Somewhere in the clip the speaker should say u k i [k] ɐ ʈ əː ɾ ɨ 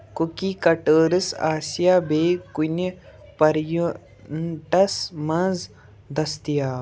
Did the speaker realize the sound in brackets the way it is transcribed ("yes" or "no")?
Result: yes